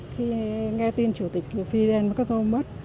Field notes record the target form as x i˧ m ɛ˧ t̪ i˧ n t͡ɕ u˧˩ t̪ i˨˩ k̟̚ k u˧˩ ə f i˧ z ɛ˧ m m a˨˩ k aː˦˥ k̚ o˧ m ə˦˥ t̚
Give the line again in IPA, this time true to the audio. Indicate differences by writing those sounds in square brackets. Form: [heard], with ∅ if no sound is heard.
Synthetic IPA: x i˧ [ŋ] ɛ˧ t̪ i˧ n t͡ɕ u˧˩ t̪ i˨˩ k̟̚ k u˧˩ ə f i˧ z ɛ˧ [n] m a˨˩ k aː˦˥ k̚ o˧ m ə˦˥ t̚